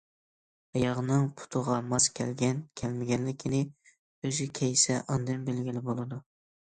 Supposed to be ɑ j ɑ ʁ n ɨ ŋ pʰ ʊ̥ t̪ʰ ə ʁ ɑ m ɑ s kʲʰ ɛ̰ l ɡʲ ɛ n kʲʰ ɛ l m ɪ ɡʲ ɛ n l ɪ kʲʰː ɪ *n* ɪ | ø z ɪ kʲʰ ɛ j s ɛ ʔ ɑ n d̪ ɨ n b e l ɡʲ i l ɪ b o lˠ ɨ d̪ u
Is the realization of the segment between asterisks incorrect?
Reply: no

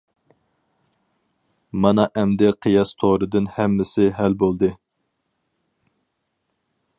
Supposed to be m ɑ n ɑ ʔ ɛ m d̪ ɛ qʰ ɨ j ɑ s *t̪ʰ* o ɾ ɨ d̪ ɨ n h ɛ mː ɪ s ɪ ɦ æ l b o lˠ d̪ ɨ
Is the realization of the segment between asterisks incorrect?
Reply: no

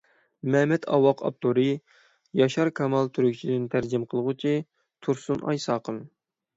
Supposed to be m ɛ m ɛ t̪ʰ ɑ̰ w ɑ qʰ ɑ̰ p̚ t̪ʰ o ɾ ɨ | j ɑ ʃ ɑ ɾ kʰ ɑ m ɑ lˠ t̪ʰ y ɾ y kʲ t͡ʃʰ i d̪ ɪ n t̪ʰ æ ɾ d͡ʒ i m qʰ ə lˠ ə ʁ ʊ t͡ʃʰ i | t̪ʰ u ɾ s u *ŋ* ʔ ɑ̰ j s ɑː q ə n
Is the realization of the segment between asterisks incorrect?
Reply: yes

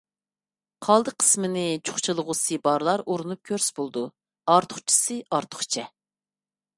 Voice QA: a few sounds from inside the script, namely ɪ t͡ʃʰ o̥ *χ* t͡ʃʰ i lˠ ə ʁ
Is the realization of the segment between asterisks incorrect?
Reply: no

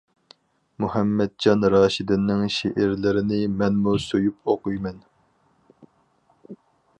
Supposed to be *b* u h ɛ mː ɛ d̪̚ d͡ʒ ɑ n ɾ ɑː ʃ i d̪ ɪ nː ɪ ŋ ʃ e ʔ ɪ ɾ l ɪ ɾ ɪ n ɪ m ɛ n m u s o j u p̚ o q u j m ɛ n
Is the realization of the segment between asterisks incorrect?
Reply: yes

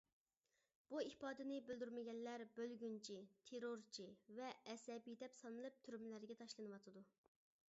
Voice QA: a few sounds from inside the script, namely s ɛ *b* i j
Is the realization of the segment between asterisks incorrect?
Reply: no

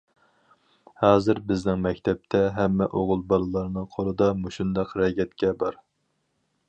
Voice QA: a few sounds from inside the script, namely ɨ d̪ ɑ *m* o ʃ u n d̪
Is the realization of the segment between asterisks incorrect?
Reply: no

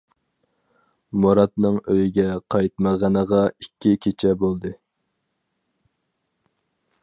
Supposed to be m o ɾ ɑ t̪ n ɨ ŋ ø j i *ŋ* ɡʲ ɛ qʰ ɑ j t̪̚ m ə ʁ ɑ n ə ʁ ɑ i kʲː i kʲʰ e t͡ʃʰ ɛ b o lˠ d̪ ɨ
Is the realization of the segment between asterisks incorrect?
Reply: yes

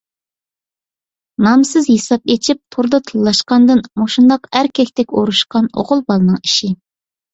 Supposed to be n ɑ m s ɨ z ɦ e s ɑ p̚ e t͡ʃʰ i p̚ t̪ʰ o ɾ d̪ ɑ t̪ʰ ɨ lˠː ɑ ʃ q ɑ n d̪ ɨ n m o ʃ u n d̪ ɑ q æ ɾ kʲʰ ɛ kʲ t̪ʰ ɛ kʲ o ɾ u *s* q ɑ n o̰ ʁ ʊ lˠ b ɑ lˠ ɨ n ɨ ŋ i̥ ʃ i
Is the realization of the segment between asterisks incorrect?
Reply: yes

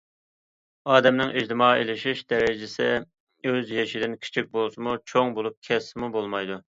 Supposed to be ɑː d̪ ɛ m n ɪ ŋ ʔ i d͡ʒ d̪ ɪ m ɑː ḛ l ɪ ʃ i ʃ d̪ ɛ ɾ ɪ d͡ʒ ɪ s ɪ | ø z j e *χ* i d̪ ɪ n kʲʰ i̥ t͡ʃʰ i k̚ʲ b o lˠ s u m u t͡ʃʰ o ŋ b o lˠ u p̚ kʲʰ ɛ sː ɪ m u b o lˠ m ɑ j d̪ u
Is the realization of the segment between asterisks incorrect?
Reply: yes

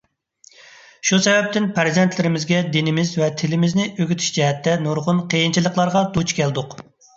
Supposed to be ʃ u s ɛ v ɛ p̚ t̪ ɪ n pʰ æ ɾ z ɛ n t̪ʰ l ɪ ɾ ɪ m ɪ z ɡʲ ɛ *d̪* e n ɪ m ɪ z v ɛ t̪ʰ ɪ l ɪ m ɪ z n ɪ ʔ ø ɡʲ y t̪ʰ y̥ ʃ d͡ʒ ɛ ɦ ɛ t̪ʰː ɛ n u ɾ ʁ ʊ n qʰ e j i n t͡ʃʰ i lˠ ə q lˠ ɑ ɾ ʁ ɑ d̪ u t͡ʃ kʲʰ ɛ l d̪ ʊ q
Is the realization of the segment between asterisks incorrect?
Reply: no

